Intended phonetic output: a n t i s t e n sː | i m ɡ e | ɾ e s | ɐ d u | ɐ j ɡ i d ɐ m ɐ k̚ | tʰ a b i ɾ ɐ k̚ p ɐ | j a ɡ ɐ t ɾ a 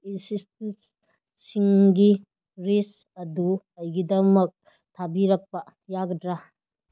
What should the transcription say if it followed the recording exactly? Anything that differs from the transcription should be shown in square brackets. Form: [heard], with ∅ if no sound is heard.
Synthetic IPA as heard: [i] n [s] i s t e n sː | i [ŋ] ɡ [i] | ɾ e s | ɐ d u | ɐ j ɡ i d ɐ m ɐ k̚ | tʰ a b i ɾ ɐ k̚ p ɐ | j a ɡ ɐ [d] ɾ a